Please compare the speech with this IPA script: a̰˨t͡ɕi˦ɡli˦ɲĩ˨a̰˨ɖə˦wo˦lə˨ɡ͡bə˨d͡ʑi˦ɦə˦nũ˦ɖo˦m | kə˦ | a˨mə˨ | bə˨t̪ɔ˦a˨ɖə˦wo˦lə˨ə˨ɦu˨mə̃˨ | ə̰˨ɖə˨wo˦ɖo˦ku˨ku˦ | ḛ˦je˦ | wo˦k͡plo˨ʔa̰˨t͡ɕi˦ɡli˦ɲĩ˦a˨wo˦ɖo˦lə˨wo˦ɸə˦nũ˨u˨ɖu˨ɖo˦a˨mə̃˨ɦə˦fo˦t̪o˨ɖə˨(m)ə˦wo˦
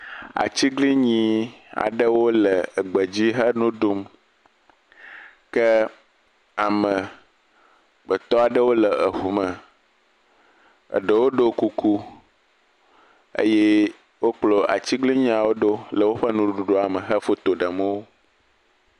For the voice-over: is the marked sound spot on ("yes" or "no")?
yes